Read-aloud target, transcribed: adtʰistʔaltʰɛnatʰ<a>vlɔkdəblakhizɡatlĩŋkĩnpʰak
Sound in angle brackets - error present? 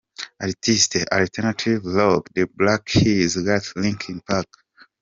yes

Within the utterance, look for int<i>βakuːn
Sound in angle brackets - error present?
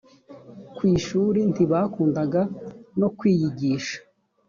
no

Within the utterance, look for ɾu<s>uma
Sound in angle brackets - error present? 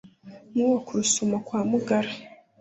no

